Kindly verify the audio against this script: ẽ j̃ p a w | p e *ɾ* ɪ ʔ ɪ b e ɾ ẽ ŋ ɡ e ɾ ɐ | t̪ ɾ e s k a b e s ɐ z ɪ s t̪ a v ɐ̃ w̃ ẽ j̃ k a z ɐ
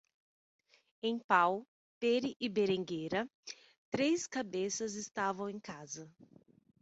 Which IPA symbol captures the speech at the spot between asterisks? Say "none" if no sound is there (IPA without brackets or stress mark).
ɾ